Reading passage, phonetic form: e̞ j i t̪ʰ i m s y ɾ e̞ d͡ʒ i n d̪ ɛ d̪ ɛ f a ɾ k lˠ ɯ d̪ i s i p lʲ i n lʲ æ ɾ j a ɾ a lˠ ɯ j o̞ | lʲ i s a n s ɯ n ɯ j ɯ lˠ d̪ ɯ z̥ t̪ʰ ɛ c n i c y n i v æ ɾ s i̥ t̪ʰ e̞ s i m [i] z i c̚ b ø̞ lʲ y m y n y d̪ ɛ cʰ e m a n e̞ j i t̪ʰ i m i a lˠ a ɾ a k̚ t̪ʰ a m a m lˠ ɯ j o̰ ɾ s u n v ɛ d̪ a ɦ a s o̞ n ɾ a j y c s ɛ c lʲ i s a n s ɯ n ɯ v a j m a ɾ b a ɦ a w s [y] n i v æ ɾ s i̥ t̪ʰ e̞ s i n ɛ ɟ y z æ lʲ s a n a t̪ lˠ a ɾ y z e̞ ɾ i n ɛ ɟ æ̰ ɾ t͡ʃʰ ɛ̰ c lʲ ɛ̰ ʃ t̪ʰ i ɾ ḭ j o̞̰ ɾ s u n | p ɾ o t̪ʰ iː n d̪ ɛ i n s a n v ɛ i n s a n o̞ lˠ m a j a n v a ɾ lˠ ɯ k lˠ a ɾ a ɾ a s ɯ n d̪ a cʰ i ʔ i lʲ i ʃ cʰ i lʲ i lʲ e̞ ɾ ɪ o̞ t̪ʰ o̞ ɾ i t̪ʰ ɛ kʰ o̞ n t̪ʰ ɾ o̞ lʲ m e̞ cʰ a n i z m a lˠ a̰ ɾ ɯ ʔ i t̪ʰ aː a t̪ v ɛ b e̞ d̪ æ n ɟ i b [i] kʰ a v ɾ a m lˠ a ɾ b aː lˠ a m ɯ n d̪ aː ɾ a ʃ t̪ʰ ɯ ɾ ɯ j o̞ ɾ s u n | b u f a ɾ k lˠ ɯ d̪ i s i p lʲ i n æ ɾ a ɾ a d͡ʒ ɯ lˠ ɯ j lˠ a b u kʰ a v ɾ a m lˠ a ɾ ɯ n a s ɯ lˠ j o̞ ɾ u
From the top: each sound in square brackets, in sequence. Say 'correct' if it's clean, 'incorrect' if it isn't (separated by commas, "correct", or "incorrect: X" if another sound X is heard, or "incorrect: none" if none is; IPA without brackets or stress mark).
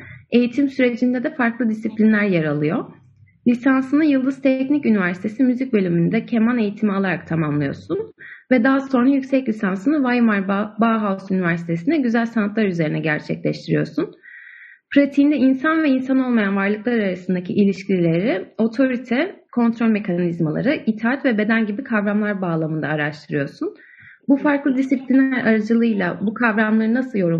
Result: incorrect: y, correct, correct